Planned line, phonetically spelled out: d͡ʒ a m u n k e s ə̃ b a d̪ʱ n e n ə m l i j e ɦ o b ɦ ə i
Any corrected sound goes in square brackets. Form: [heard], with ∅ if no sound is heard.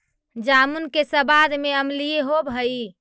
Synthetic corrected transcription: d͡ʒ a m u n k e s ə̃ b a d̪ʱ [m] e [∅] ə m l i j e ɦ o b ɦ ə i